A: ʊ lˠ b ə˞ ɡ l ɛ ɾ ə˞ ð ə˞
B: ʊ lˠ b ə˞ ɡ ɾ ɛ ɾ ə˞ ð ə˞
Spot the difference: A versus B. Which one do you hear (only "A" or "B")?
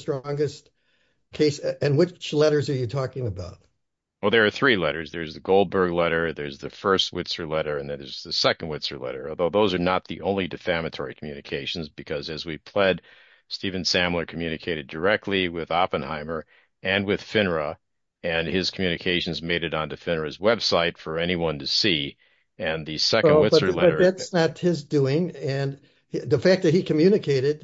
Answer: A